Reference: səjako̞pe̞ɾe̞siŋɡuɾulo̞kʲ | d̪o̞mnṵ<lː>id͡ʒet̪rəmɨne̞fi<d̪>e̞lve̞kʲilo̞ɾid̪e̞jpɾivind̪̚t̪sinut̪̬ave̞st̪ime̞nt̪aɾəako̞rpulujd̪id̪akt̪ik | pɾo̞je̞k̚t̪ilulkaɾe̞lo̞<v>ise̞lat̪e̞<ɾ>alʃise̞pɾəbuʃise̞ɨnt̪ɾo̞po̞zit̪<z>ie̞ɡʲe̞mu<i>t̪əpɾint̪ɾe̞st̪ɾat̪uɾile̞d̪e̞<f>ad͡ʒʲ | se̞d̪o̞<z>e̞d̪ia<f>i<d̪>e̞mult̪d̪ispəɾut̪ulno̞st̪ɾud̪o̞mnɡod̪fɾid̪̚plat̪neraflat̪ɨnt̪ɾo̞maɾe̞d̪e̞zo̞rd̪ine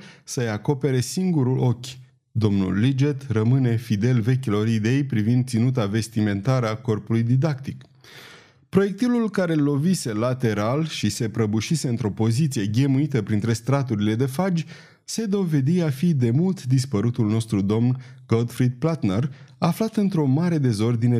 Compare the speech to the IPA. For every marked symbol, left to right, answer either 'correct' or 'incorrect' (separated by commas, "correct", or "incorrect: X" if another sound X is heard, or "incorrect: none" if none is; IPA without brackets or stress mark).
correct, correct, correct, correct, incorrect: s, correct, correct, incorrect: v, correct, correct